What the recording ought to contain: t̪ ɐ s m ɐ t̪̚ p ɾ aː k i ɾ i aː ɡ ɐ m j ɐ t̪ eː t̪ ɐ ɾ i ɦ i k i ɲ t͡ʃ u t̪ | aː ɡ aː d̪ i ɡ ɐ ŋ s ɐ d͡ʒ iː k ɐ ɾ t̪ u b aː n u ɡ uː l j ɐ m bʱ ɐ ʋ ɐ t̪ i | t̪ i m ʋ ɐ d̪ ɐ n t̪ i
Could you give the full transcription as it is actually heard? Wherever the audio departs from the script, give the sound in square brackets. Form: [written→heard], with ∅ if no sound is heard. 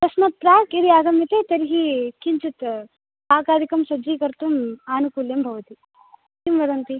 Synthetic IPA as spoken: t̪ ɐ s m ɐ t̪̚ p ɾ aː k i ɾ i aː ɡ ɐ m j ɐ t̪ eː t̪ ɐ ɾ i ɦ i k i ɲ t͡ʃ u t̪ | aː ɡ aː d̪ i [ɡ→k] ɐ [ŋ→m] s ɐ d͡ʒ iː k ɐ ɾ t̪ u [b→m] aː n u [ɡ→k] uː l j ɐ m bʱ ɐ ʋ ɐ t̪ i | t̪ i m ʋ ɐ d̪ ɐ n t̪ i